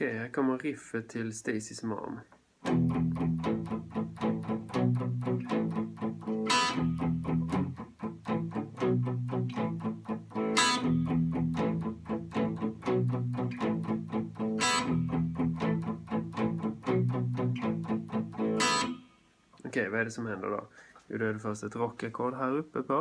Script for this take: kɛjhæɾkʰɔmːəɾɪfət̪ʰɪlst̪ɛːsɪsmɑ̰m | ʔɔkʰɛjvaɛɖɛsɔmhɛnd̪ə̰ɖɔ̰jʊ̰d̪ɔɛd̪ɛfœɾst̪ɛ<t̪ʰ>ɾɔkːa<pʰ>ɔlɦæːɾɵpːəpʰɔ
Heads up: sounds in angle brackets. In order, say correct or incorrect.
incorrect: t̪, incorrect: kʰ

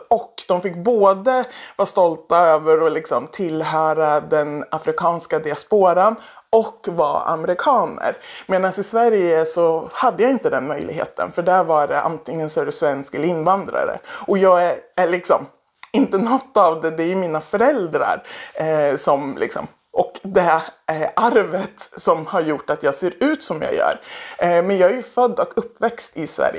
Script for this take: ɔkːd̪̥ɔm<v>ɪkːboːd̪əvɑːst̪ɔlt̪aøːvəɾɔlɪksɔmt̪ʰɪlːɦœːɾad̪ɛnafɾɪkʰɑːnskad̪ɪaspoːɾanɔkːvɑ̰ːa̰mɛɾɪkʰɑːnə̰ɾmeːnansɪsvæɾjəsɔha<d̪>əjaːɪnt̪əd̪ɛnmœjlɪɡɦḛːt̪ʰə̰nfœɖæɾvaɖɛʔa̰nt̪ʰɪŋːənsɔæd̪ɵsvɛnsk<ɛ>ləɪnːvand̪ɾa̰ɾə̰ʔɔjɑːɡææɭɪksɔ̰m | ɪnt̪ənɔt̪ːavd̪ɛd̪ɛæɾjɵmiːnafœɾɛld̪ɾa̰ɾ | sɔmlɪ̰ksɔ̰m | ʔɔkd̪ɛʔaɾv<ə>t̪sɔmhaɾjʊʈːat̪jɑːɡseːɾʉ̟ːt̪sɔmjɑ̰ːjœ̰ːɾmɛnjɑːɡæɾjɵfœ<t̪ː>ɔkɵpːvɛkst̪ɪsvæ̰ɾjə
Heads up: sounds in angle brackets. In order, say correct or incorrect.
incorrect: f, incorrect: d̪ː, correct, correct, incorrect: d̪ː

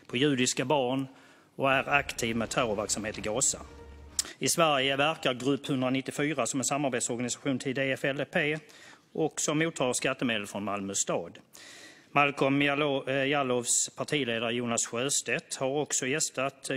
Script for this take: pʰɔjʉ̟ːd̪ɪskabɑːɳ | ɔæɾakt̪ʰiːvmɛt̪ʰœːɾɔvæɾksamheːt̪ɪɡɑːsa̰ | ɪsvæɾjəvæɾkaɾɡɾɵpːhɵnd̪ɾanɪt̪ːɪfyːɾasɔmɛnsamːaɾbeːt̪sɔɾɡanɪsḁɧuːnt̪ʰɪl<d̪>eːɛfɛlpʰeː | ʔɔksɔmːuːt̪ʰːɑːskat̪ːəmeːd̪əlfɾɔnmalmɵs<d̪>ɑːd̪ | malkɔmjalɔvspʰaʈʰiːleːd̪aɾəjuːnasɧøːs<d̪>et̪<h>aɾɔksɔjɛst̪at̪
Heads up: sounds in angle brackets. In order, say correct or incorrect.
correct, incorrect: t̪, incorrect: t̪, correct

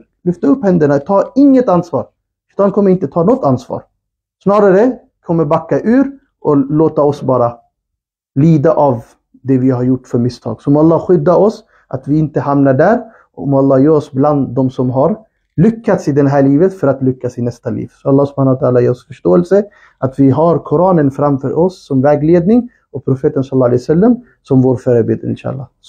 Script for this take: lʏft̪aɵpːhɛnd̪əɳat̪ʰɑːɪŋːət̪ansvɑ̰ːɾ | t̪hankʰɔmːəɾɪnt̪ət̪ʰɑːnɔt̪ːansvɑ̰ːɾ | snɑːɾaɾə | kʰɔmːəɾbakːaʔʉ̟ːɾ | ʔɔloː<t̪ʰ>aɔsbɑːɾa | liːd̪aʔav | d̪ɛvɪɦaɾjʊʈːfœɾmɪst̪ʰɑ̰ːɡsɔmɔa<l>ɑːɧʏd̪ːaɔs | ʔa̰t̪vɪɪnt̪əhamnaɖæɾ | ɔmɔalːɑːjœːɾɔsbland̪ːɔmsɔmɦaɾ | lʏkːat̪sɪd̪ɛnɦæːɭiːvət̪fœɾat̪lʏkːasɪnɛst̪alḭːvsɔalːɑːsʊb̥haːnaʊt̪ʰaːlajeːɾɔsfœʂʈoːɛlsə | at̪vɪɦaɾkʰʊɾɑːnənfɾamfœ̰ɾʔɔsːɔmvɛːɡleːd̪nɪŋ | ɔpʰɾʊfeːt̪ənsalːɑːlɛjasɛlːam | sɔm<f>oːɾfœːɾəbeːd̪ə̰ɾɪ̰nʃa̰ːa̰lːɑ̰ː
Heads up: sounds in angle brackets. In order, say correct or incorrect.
incorrect: t̪, incorrect: lː, incorrect: v

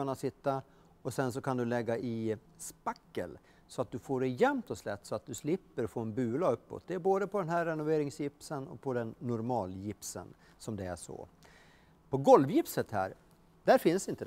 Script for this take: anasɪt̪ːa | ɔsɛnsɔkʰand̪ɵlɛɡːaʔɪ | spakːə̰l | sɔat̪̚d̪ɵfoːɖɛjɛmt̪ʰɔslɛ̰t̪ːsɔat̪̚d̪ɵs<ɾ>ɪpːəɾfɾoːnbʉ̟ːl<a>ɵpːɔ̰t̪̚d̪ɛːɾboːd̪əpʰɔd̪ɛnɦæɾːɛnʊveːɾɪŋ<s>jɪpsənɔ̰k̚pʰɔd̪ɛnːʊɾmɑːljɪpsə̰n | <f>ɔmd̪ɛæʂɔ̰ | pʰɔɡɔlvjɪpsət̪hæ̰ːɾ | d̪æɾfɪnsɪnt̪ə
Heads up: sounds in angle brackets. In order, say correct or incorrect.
incorrect: l, correct, correct, incorrect: s

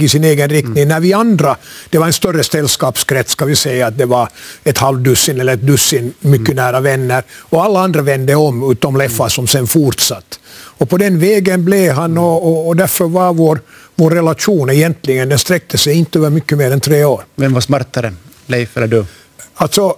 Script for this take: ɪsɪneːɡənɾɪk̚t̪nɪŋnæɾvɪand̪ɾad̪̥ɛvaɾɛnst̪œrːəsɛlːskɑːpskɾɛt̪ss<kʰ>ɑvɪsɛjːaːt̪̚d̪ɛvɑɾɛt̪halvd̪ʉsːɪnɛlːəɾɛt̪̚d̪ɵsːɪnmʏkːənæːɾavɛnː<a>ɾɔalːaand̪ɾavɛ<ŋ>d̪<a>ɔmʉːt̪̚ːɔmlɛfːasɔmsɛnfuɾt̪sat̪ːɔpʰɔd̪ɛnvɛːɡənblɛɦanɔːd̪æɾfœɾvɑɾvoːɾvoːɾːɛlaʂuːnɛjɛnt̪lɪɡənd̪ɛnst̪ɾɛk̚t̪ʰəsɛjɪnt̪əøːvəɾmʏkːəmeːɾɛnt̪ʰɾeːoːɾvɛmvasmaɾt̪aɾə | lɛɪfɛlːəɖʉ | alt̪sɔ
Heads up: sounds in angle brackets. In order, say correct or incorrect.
incorrect: k, incorrect: ə, incorrect: n, incorrect: ə

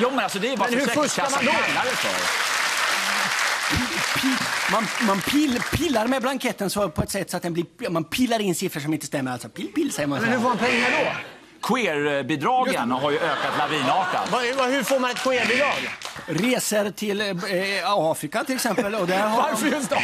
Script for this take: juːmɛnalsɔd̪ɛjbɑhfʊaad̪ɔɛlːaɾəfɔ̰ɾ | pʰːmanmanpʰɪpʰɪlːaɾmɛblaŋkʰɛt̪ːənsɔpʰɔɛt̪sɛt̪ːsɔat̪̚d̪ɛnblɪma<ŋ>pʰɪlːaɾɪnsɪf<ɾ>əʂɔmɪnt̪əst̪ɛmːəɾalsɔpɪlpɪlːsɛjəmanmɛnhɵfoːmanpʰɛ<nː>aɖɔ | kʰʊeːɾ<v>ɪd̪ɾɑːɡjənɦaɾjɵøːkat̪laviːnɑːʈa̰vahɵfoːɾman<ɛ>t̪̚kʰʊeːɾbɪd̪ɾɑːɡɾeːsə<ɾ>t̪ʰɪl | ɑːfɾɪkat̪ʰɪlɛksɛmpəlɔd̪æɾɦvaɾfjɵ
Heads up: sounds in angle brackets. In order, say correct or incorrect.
incorrect: n, correct, incorrect: ŋː, incorrect: b, correct, correct

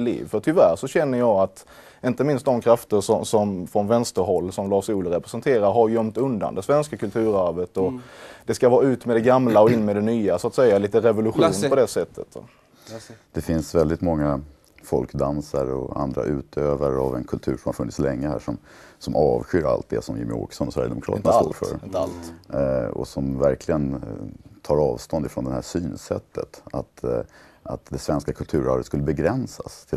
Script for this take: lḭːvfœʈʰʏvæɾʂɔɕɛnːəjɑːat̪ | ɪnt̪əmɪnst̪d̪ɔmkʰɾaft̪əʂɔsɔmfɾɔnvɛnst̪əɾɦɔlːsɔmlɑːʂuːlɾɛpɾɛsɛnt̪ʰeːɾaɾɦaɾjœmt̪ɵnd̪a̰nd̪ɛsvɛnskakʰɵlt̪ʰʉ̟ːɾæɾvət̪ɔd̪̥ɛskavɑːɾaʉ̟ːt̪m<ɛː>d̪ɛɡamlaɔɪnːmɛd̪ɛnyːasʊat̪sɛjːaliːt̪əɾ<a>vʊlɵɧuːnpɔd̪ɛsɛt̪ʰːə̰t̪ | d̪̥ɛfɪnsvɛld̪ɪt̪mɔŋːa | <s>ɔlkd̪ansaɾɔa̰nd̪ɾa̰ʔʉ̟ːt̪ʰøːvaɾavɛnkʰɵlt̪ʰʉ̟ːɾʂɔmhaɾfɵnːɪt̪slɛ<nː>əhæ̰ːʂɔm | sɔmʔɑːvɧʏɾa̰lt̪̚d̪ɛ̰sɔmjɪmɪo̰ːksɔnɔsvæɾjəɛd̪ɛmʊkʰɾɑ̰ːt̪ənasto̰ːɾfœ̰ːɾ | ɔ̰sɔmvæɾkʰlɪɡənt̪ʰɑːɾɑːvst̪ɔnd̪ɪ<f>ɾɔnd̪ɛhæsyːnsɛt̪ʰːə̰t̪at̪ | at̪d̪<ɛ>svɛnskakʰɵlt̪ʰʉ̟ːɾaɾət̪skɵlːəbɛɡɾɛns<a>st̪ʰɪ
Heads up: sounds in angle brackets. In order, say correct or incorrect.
incorrect: ɛ, incorrect: ɛ, incorrect: f, incorrect: ŋː, correct, correct, correct

